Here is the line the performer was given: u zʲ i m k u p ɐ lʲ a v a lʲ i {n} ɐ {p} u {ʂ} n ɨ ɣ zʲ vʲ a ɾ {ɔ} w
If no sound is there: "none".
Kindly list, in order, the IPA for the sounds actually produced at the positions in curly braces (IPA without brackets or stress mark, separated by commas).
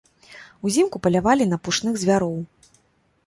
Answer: n, p, ʂ, ɔ